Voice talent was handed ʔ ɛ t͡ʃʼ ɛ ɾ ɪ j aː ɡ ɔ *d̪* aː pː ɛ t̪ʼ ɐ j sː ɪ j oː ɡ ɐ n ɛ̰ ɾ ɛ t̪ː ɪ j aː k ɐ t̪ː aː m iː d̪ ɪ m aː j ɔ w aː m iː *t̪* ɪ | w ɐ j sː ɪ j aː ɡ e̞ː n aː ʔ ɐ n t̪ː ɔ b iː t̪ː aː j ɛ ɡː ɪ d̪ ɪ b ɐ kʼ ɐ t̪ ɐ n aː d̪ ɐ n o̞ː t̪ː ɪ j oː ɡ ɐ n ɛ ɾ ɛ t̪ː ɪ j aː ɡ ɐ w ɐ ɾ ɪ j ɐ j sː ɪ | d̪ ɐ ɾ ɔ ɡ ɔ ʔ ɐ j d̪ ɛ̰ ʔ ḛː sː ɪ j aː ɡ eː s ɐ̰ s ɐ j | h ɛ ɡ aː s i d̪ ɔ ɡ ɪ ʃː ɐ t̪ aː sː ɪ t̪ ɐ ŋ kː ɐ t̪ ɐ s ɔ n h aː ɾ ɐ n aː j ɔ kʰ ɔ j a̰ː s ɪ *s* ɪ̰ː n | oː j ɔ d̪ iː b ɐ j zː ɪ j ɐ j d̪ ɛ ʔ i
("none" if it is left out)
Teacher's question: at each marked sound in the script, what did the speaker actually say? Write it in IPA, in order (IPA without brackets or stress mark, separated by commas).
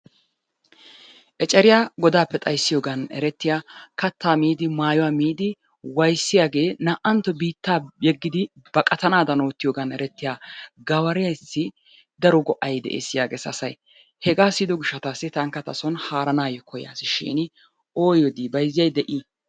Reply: d̪, d̪, ʃ